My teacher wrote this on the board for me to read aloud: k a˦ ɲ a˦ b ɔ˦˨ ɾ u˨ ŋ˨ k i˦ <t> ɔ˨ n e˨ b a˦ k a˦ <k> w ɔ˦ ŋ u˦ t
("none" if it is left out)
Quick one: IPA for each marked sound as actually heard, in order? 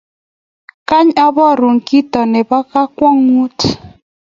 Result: t, k

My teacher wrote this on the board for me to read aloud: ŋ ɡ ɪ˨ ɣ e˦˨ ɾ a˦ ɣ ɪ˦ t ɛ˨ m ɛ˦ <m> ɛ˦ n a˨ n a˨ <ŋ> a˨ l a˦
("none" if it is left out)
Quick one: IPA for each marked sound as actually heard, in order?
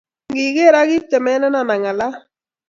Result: n, ŋ

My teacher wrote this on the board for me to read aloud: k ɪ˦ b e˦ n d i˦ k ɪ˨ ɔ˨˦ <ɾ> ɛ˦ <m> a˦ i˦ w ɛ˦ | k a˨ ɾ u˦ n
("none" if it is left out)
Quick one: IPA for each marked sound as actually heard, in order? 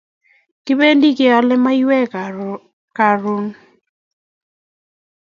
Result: l, m

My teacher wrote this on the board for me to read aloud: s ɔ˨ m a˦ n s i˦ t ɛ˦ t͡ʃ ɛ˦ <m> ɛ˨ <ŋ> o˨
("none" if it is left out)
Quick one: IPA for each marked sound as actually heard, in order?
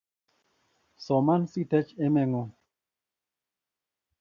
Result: m, ŋ

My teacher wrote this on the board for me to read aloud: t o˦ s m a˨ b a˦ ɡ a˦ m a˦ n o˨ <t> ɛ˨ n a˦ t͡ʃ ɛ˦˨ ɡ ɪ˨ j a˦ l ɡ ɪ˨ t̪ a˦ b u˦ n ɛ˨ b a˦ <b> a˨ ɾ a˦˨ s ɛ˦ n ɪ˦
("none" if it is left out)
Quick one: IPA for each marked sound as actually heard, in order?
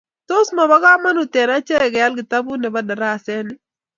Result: t, d

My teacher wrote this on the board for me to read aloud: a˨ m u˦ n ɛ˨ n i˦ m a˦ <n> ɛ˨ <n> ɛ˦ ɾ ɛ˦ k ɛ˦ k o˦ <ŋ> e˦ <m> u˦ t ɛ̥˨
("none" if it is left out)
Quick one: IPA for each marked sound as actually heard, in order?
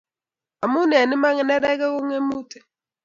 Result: ŋ, n, ŋ, m

